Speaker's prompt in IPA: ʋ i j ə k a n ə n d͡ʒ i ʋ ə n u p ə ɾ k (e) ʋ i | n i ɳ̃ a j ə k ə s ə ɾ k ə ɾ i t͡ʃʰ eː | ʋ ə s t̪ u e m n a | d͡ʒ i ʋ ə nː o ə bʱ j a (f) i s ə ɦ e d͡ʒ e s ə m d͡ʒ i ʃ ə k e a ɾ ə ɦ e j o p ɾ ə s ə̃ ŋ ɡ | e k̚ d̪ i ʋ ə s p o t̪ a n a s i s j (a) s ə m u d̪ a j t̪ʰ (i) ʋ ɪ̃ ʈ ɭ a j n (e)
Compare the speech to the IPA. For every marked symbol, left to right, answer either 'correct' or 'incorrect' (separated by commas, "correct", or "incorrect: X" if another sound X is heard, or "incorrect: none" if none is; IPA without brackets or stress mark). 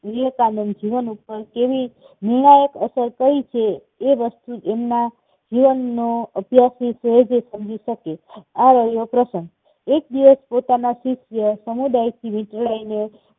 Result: correct, incorrect: s, incorrect: ə, correct, correct